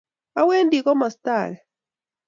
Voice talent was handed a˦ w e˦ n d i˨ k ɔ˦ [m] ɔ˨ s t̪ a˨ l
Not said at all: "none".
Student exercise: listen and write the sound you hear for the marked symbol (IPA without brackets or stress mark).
m